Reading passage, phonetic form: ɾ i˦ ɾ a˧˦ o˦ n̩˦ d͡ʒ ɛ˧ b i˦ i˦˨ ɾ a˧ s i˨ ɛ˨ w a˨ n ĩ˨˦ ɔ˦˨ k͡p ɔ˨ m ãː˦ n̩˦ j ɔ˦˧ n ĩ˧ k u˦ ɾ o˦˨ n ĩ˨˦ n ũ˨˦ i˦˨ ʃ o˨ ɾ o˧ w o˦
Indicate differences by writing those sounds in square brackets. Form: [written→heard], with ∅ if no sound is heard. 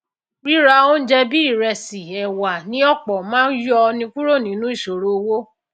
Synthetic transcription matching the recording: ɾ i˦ ɾ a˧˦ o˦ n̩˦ d͡ʒ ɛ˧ b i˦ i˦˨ ɾ [a˧→ɛ˧] s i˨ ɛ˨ w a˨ n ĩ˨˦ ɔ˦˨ k͡p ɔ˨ m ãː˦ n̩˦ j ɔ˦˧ n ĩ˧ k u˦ ɾ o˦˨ n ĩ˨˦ n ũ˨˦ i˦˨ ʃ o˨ ɾ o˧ w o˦

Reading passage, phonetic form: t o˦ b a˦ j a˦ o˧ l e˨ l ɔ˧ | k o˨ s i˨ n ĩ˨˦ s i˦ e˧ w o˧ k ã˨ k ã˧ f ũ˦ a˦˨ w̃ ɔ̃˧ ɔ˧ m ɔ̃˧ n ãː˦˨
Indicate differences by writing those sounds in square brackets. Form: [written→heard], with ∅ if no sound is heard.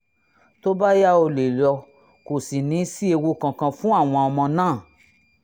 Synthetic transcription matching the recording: t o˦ b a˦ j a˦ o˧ l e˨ l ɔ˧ | k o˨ s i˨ n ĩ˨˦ s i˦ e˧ w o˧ k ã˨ k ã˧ f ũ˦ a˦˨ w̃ ɔ̃˧ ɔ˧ m ɔ̃˧ n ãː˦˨

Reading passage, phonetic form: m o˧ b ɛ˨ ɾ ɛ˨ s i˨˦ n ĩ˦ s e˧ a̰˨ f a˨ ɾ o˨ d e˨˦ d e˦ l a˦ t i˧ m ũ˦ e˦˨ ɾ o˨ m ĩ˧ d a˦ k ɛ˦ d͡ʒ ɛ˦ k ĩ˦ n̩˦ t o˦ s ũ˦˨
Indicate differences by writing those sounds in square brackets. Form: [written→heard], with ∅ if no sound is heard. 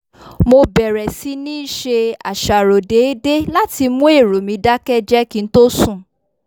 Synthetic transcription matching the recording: m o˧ b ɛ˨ ɾ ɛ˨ s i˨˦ n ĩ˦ [s→ʃ] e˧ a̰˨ [f→ʃ] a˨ ɾ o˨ d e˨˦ d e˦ l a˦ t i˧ m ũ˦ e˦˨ ɾ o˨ m ĩ˧ d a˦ k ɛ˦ d͡ʒ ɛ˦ k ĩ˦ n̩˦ t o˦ s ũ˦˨

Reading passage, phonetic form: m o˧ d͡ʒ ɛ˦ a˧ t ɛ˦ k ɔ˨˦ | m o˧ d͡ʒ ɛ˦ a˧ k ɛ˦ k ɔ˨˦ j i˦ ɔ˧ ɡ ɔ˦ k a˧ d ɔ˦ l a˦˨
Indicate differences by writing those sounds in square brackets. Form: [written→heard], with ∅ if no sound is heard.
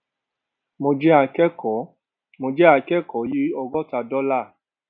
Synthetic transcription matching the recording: m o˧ d͡ʒ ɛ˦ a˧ [t→k] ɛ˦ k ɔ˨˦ | m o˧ d͡ʒ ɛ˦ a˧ k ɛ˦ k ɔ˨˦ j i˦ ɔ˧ ɡ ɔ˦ [k→t] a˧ d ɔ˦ l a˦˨

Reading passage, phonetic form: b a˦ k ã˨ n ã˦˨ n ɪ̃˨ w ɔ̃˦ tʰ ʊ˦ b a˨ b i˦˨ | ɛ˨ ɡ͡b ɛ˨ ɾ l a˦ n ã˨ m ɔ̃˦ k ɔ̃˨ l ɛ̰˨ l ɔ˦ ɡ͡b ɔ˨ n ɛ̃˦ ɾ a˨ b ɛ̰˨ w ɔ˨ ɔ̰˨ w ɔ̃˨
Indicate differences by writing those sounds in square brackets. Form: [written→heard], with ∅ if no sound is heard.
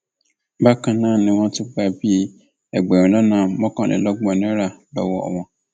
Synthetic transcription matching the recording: b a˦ k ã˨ n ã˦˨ n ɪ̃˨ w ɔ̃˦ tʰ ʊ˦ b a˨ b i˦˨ | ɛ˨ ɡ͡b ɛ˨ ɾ l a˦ n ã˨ m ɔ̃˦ k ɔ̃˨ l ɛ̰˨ l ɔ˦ ɡ͡b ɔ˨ n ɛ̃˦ ɾ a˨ b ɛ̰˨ w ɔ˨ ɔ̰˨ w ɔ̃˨

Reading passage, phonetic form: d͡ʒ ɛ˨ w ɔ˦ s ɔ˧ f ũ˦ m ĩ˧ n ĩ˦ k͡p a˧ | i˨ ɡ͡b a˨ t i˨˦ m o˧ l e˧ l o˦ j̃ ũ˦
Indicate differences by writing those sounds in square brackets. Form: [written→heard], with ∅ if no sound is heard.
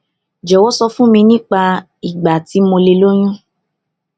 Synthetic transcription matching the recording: d͡ʒ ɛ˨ w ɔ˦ s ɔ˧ f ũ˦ m ĩ˧ n ĩ˦ k͡p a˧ | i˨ ɡ͡b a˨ t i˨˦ m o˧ l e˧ l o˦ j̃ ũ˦

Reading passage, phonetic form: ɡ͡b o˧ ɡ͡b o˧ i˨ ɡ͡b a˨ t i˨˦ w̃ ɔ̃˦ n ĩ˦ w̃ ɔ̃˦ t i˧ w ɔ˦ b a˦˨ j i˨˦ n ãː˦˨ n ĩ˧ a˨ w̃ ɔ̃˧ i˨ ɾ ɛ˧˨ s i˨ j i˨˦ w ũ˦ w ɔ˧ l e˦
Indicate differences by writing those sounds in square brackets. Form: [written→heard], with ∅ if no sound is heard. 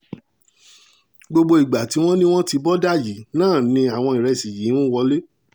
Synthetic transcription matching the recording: ɡ͡b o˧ ɡ͡b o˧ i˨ ɡ͡b a˨ t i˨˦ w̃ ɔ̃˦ n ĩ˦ w̃ ɔ̃˦ t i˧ [w→b] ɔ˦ [b→d] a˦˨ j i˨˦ n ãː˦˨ n ĩ˧ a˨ w̃ ɔ̃˧ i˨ ɾ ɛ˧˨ s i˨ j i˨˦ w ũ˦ w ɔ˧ l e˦

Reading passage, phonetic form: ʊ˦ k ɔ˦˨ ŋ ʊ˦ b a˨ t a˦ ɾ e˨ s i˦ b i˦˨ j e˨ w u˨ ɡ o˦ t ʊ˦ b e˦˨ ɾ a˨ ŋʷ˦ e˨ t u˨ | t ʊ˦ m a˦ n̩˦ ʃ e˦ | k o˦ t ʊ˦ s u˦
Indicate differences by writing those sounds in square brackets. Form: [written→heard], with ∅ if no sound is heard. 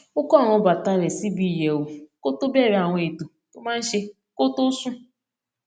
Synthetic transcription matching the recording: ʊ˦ k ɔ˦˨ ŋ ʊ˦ b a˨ t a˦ ɾ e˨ s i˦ b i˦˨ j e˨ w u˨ [ɡ→k] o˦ t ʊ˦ b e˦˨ ɾ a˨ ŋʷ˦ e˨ t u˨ | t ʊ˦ m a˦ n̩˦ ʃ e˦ | k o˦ t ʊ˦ s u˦

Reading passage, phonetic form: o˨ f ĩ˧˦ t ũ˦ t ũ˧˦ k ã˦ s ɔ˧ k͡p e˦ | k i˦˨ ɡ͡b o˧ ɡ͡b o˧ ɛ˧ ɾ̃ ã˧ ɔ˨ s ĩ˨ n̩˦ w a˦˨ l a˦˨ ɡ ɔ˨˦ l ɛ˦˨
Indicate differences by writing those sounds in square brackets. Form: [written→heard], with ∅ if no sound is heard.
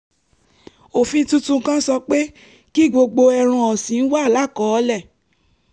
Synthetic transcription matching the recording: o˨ f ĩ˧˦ t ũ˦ t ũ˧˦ k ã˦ s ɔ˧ k͡p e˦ | k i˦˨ ɡ͡b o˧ ɡ͡b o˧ ɛ˧ ɾ̃ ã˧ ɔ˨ s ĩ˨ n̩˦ w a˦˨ l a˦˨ [ɡ→k] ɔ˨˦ l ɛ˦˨

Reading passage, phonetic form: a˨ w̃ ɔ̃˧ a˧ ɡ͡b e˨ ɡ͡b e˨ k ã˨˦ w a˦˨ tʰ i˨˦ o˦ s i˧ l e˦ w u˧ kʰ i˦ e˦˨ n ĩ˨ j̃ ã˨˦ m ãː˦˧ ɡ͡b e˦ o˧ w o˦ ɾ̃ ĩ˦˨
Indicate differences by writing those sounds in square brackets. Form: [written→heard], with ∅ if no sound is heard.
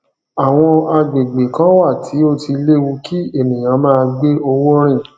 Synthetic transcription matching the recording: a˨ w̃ ɔ̃˧ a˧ ɡ͡b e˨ ɡ͡b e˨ k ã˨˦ w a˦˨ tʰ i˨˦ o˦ [s→t] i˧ l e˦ w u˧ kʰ i˦ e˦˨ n ĩ˨ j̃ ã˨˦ m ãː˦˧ ɡ͡b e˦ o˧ w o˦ ɾ̃ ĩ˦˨

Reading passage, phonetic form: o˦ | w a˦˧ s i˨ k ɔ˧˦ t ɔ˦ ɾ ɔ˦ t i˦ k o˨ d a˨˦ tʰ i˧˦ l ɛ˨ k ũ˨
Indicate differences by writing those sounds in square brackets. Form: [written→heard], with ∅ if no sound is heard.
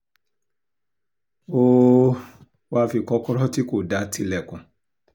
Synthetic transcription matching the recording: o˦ | w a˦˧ [s→f] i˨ k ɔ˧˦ [t→k] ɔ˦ ɾ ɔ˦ t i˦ k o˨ d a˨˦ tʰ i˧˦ l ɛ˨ k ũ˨

